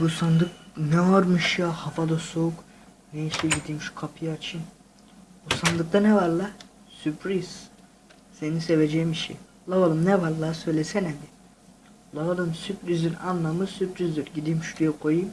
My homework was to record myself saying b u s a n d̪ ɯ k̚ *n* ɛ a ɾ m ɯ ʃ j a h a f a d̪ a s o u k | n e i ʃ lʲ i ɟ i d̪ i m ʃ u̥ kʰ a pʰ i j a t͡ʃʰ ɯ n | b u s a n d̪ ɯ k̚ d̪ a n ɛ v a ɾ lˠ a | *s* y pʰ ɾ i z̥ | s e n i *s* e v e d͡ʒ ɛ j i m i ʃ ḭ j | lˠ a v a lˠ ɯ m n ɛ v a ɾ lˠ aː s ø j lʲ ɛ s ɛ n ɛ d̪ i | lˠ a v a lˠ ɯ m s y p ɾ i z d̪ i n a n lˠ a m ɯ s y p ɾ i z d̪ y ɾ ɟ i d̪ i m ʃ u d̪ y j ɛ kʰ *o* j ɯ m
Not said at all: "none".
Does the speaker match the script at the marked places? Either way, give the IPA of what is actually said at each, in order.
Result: n, s, s, o

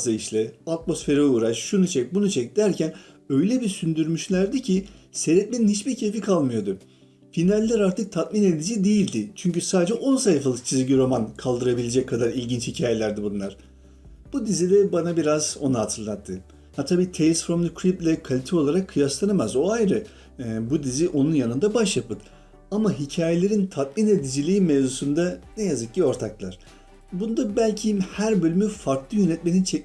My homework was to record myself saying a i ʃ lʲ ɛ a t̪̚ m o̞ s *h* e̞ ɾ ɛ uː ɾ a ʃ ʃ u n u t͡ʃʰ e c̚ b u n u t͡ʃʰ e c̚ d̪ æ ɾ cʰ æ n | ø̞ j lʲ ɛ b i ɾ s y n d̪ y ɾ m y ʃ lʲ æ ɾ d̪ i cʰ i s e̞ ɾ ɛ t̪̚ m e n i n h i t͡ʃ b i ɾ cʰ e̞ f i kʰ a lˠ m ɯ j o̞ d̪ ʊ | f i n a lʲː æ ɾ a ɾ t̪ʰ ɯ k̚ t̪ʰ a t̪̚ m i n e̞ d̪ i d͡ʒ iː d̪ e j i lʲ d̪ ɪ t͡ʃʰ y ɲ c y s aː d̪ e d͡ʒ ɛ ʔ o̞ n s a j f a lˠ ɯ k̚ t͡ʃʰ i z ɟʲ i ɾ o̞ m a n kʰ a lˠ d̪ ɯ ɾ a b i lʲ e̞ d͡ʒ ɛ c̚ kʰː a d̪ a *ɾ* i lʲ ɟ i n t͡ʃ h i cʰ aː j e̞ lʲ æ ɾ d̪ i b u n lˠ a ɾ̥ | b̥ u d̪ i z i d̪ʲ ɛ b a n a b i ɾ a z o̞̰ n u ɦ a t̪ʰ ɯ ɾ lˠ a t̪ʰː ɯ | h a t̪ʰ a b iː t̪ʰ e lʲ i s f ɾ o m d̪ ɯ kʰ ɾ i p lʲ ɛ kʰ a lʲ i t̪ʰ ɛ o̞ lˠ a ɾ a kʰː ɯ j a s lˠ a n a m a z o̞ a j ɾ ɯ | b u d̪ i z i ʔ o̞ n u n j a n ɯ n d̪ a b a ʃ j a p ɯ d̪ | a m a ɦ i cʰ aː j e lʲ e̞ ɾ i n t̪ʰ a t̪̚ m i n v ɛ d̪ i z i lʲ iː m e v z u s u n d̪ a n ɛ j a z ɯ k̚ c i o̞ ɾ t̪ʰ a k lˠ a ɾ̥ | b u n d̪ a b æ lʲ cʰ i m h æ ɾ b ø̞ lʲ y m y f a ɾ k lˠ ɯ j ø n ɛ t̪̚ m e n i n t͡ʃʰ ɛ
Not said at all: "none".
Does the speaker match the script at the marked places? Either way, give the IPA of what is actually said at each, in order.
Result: f, ɾ

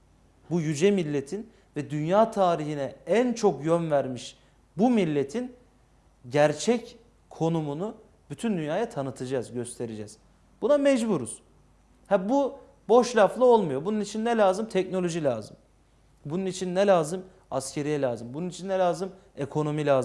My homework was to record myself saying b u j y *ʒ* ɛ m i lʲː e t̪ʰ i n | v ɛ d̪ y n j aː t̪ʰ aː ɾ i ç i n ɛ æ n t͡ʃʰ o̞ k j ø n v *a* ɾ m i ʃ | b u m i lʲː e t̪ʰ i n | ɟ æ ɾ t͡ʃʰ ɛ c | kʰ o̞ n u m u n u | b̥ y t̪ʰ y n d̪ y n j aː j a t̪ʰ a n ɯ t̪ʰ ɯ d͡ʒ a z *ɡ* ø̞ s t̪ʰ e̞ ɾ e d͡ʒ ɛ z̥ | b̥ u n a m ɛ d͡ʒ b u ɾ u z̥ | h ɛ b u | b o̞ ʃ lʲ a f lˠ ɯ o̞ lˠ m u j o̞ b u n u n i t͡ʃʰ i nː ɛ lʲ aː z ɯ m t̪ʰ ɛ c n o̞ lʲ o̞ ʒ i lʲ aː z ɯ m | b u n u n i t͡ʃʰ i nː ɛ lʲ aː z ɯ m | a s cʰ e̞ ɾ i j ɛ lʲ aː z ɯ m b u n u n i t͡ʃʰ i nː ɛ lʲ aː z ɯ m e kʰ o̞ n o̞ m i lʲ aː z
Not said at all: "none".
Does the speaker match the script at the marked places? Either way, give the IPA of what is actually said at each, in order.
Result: d͡ʒ, æ, ɟ

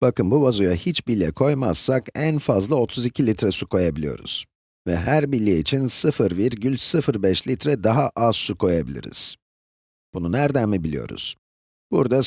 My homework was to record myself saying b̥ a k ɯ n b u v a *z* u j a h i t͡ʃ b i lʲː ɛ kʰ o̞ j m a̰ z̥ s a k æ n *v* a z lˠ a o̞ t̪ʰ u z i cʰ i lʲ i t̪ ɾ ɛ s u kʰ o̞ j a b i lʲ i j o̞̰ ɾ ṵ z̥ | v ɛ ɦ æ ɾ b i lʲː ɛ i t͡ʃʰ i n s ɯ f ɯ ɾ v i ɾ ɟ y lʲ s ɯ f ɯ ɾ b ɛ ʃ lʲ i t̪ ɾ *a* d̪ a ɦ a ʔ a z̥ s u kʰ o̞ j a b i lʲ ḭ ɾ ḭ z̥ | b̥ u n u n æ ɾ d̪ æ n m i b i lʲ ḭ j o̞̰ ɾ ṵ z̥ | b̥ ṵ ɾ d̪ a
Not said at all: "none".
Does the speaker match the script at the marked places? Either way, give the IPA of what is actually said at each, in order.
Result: z, f, ɛ

